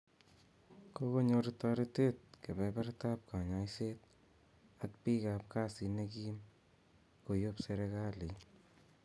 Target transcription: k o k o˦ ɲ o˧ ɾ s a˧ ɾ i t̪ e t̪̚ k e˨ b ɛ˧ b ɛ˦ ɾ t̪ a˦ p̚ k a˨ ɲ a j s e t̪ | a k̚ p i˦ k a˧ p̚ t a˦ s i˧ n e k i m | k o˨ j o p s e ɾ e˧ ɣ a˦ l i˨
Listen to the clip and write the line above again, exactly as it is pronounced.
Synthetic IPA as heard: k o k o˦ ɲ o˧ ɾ t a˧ ɾ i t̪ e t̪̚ k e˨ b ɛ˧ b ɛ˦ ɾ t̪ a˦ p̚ k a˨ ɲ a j s e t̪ | a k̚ p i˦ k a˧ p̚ k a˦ s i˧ n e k i m | k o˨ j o p s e ɾ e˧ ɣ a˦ l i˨